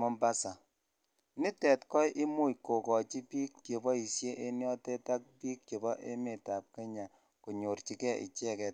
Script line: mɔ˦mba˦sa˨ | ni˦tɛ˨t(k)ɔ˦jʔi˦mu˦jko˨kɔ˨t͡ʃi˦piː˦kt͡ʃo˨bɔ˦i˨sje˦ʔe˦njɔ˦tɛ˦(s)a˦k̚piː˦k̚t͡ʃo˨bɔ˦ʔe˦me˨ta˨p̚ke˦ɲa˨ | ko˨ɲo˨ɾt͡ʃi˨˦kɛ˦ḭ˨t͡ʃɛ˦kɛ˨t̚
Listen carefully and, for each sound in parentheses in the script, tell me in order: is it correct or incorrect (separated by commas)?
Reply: correct, incorrect